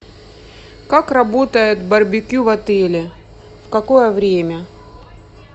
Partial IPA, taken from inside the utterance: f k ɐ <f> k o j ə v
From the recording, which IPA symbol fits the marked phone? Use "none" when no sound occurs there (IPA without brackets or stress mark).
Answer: none